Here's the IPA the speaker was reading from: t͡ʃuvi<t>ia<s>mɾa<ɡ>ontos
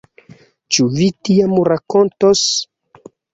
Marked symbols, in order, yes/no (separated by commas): yes, no, no